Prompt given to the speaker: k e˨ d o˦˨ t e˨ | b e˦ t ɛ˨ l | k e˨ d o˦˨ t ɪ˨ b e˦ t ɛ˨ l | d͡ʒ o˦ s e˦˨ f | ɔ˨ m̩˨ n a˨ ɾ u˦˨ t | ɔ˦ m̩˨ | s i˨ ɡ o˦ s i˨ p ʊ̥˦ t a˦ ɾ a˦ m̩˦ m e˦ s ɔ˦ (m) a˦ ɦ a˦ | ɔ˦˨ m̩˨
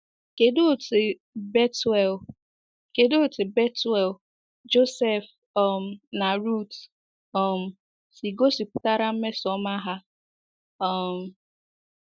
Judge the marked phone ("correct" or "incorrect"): correct